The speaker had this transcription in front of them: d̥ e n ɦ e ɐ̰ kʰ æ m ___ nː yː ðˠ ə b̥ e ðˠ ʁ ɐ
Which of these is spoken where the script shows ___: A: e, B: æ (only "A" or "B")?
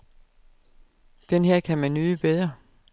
B